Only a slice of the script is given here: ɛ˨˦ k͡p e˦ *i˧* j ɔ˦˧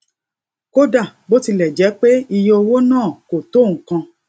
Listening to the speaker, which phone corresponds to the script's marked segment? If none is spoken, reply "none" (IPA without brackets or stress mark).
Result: i˧